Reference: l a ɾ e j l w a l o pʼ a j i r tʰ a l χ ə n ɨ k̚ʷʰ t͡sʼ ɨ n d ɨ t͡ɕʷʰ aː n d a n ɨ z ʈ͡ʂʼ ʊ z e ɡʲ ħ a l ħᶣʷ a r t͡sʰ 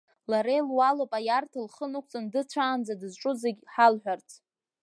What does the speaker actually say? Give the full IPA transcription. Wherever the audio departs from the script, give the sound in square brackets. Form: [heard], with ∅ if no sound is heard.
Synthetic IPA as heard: l a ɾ e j l w a l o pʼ a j [a] r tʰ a l χ ə n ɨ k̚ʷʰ t͡sʼ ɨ n d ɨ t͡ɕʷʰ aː n [d͡z] a [d] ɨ z ʈ͡ʂʼ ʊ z e ɡʲ ħ a l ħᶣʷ a r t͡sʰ